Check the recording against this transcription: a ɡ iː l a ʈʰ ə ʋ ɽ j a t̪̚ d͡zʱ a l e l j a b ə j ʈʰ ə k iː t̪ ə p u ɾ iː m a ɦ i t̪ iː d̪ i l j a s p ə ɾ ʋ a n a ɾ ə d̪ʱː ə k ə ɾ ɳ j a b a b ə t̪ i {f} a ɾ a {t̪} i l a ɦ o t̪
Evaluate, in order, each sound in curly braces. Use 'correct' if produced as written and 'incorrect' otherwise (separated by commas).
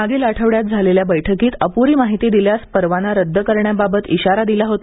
incorrect, incorrect